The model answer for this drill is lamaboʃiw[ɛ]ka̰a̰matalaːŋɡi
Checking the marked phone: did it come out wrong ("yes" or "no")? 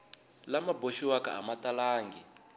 yes